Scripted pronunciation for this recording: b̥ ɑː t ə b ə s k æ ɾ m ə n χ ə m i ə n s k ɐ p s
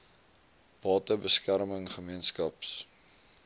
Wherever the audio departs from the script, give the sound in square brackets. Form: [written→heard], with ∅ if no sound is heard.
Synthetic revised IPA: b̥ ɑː t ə b ə s k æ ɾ m ə [n→ŋ] χ ə m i ə n s k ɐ p s